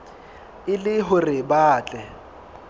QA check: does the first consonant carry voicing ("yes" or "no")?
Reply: yes